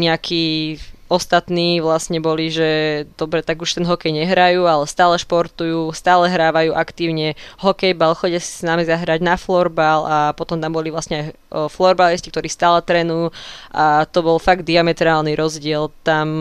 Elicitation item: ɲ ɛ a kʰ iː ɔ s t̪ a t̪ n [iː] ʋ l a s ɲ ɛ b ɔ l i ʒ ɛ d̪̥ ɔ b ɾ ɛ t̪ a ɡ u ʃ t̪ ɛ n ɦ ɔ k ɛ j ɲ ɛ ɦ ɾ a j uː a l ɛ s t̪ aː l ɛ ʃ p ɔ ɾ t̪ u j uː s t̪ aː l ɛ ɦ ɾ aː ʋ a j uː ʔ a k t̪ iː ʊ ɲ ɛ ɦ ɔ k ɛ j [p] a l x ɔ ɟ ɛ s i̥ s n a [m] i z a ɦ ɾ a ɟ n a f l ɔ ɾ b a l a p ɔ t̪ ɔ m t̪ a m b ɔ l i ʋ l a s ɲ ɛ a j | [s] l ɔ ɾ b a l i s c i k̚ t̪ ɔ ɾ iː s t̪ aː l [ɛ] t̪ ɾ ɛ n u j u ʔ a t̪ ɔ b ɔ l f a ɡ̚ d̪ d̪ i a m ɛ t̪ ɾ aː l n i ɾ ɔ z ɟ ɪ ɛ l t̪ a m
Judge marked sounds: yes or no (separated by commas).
yes, no, yes, no, yes